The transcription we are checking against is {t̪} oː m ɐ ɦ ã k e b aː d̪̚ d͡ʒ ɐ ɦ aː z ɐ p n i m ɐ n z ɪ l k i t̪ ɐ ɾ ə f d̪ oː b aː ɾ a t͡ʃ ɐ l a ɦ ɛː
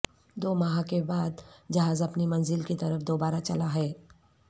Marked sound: incorrect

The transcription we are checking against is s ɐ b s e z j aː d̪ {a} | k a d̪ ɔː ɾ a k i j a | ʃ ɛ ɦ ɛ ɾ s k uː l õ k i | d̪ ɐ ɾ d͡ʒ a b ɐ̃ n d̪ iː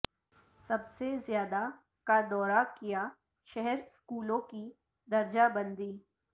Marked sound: correct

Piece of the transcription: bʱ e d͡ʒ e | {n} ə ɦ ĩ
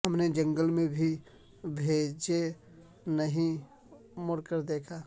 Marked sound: correct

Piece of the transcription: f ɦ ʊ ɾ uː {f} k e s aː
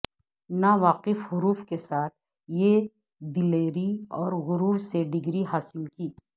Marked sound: correct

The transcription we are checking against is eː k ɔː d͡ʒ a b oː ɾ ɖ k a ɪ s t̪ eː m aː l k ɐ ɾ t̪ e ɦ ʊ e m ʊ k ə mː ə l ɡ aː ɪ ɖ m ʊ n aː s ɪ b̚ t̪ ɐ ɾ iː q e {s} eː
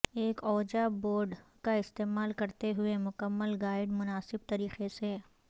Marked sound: correct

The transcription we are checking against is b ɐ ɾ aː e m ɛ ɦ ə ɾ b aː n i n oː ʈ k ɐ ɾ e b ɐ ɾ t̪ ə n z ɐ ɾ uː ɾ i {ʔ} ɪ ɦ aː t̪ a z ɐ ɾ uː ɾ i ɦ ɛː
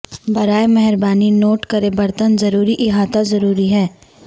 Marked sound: correct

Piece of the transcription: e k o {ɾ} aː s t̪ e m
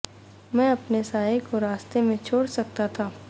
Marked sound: correct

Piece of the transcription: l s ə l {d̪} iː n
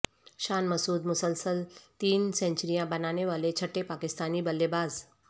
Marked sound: incorrect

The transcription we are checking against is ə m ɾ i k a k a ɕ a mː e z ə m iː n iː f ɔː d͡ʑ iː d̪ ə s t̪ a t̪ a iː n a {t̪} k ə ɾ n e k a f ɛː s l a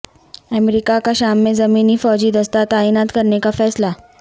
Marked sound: correct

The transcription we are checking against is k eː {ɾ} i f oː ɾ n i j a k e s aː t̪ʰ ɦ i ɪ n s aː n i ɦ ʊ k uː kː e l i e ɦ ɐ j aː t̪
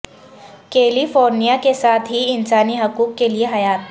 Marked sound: incorrect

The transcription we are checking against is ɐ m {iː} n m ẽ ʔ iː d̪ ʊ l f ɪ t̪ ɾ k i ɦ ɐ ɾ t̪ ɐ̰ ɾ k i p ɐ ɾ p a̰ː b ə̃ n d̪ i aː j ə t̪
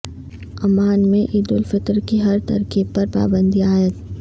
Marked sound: incorrect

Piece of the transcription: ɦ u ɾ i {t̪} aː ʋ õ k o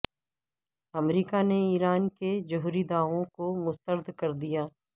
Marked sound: incorrect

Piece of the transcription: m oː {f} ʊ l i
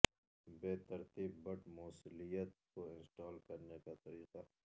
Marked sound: incorrect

